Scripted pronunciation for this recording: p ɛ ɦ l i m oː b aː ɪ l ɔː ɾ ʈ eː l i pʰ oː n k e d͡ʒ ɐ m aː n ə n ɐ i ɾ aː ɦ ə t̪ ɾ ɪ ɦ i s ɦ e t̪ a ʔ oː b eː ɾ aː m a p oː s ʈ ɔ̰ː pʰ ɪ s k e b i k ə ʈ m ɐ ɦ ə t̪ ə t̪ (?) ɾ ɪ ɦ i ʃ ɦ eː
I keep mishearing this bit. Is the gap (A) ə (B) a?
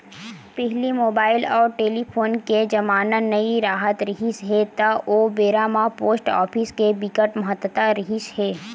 B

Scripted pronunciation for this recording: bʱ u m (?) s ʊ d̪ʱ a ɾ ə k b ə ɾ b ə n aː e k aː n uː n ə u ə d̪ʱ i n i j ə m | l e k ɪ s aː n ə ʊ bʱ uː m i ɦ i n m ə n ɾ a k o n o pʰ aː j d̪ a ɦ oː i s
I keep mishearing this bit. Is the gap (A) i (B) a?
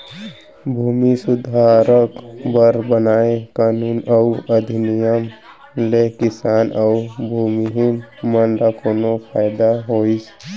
A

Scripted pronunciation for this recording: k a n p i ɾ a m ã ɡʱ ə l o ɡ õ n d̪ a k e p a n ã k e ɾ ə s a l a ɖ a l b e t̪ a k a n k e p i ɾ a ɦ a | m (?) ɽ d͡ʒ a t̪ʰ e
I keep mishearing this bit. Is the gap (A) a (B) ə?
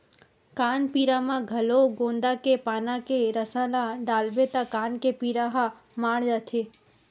A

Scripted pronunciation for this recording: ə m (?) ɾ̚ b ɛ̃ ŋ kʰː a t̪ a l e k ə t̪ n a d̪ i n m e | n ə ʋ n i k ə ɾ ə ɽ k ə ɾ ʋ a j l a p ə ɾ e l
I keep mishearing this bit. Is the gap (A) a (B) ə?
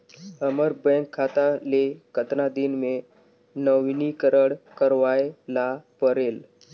B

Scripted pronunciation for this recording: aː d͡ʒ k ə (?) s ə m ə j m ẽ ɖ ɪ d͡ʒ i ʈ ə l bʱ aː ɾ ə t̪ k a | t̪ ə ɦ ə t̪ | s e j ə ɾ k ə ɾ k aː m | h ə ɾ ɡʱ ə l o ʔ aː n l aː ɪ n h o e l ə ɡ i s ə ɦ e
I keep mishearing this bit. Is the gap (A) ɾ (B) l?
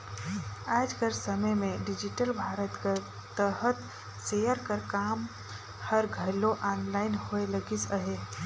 A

